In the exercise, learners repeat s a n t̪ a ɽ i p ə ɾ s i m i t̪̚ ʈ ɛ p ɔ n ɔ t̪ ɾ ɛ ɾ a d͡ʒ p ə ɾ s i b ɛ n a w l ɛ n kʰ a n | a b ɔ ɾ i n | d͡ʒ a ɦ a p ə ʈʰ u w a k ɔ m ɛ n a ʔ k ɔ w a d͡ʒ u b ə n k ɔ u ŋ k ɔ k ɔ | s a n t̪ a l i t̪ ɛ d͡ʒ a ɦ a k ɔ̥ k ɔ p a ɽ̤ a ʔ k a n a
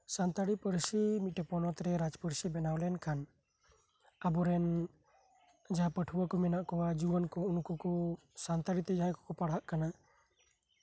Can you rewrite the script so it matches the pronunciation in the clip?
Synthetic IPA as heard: s a n t̪ a ɽ i p ə ɾ s i m i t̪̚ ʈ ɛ p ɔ n ɔ t̪ ɾ ɛ ɾ a d͡ʒ p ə ɾ s i b ɛ n a w l ɛ n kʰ a n | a b ɔ ɾ ɛ n | d͡ʒ a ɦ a p ə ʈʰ u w a k ɔ m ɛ n a ʔ k ɔ w a d͡ʒ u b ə n k ɔ u n k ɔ k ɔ | s a n t̪ a ɽ i t̪ ɛ d͡ʒ a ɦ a k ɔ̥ k ɔ p a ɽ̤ a ʔ k a n a